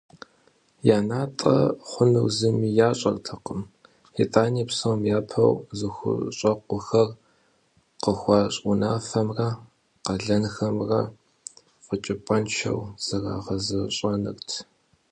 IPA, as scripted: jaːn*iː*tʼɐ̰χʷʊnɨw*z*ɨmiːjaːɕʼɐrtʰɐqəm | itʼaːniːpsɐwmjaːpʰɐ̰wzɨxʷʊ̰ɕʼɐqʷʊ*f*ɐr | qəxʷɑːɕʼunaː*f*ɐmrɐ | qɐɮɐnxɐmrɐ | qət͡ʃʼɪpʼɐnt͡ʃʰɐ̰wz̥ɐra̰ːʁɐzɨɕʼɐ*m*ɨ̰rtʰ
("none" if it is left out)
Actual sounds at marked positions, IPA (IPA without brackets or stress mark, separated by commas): aː, z, x, f, n